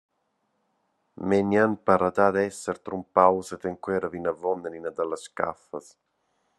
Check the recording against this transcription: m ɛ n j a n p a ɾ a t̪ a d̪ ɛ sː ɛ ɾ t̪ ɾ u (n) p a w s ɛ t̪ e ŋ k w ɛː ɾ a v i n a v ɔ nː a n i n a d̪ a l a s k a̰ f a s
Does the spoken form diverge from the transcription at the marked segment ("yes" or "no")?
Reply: yes